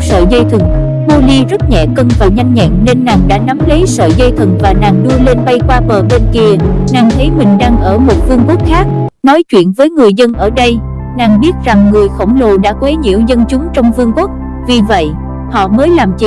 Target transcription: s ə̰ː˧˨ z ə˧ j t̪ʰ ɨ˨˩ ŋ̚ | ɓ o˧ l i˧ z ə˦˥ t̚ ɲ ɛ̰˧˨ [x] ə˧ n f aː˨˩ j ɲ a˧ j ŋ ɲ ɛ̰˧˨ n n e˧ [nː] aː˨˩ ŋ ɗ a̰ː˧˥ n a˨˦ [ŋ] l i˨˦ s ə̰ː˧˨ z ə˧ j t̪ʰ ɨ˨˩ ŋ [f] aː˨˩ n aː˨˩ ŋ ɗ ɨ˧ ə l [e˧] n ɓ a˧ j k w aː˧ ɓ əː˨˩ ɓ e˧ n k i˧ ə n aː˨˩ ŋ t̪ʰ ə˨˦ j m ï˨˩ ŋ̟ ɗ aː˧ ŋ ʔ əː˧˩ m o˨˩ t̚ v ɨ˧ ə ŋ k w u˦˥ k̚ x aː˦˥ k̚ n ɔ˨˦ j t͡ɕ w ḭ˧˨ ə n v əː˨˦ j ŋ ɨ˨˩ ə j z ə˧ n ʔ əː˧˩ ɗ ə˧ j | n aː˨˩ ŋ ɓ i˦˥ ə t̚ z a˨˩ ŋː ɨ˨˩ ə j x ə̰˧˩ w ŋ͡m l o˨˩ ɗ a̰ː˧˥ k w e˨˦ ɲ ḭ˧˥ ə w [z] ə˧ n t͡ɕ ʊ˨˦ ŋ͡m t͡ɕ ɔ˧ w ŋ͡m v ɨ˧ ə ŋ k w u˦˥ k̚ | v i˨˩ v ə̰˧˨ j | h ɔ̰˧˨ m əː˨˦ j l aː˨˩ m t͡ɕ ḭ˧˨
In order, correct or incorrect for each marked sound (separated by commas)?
incorrect, correct, incorrect, incorrect, correct, correct